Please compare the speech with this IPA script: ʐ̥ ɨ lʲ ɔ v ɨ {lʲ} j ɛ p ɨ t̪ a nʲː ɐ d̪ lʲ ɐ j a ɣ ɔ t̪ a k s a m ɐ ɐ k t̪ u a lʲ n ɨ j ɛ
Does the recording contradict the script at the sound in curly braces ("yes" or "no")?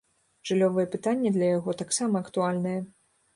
yes